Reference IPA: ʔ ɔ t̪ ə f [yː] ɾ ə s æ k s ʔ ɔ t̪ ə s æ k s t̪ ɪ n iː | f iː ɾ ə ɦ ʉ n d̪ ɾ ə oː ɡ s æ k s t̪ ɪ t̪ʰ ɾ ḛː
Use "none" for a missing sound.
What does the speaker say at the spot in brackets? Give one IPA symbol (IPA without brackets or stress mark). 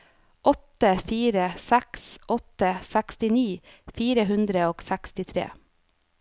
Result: iː